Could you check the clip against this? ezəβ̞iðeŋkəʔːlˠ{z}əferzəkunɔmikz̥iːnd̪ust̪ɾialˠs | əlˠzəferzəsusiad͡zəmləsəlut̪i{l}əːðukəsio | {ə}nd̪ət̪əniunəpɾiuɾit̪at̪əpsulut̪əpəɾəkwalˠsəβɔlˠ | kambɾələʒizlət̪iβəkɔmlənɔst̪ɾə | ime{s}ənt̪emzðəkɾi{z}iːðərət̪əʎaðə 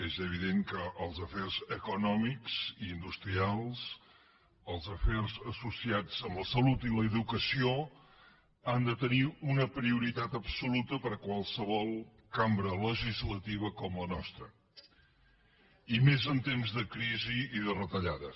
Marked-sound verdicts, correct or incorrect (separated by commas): correct, correct, incorrect, incorrect, correct